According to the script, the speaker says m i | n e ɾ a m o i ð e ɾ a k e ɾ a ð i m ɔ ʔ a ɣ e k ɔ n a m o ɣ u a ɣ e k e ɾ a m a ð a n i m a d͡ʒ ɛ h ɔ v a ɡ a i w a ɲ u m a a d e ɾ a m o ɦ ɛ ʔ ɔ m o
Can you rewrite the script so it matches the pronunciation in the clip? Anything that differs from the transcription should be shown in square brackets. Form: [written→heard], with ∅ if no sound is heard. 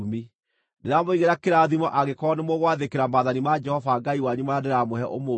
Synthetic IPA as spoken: m i | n e ɾ a m o i [ð→ɣ] e ɾ a k e ɾ a ð i m ɔ ʔ a ɣ e k ɔ n [a→e] m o ɣ [u→w] a [ɣ→ð] e k e ɾ a m a ð a n i m a d͡ʒ ɛ h ɔ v a ɡ a i w a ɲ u m a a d e ɾ a m o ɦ ɛ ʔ [ɔ→o] m o